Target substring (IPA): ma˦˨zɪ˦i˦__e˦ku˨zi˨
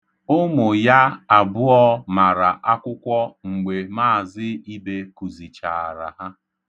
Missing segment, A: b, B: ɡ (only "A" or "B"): A